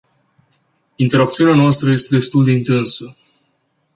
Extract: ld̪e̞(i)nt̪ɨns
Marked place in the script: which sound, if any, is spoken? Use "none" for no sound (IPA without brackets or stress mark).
i